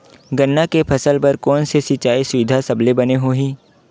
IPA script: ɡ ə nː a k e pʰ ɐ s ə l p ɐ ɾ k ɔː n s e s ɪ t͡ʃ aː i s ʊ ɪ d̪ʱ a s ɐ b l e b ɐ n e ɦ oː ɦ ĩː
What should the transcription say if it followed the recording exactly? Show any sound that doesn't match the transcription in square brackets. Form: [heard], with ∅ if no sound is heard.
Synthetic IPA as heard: ɡ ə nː a k e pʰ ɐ s ə l p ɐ ɾ k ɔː n s e s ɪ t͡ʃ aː i s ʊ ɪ d̪ʱ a s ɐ b l e b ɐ n e ɦ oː ɦ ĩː